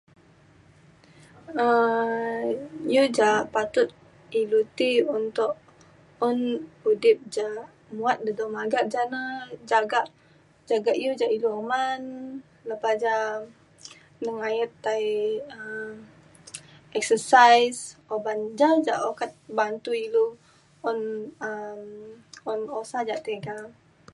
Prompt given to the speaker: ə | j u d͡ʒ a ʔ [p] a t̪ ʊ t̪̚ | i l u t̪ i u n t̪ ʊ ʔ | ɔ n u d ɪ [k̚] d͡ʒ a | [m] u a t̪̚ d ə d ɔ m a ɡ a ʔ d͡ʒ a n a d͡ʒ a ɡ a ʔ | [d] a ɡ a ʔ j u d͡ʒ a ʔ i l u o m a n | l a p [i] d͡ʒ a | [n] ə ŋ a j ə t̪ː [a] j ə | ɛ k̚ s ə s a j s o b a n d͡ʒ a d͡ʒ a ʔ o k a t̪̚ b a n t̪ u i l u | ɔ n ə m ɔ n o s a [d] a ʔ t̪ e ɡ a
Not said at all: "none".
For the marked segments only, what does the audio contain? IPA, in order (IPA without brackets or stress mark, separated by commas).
p, p̚, m, d͡ʒ, a, n, a, d͡ʒ